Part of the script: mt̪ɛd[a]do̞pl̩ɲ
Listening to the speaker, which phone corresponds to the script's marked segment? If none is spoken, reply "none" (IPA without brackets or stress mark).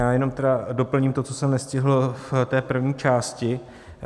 a